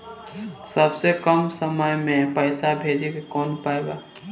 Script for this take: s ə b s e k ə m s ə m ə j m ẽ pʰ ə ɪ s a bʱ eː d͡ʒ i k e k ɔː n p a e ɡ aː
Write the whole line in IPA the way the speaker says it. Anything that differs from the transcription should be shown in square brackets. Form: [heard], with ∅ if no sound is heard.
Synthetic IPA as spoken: s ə b s e k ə m s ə m ə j m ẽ [p] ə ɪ s a bʱ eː d͡ʒ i k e k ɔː n p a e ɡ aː